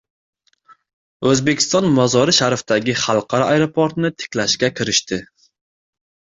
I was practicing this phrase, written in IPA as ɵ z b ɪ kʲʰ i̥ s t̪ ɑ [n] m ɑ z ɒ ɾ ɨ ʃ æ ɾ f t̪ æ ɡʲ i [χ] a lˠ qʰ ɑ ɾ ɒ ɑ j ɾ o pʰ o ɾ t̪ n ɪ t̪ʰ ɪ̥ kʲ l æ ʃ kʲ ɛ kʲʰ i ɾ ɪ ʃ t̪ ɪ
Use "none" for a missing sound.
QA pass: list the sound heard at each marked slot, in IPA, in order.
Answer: n, χ

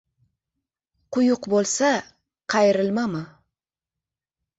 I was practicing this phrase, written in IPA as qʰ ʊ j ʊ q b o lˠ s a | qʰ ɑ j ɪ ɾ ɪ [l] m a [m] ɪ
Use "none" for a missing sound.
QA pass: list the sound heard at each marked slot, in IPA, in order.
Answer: l, m

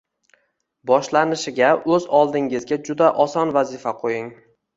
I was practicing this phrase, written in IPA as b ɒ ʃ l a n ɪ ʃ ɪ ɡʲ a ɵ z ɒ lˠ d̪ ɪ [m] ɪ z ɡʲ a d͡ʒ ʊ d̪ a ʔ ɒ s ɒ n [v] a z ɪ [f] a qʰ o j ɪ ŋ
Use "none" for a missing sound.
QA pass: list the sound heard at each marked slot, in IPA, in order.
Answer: ŋ, v, f

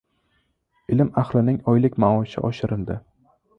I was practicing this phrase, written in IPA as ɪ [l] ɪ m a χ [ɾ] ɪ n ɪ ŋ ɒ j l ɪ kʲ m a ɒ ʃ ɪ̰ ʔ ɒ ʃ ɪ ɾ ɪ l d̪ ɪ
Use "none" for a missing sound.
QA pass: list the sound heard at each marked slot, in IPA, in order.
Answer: l, l

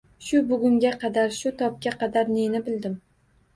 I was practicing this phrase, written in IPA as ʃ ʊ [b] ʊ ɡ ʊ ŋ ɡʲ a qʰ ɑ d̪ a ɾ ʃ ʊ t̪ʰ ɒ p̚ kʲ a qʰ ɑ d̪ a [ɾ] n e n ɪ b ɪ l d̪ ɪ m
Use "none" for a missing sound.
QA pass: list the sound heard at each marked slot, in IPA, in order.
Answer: b, ɾ

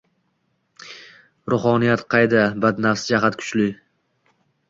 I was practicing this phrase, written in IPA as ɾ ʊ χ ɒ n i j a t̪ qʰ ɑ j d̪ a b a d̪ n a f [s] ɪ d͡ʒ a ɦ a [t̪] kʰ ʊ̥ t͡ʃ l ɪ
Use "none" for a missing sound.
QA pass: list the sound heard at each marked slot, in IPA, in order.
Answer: s, t̪

